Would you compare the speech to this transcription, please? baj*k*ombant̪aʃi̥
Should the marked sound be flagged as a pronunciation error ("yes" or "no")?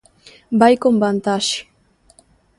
no